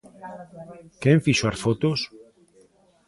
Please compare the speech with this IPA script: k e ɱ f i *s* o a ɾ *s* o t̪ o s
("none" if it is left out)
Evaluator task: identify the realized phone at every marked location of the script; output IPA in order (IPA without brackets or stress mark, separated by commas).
ʃ, f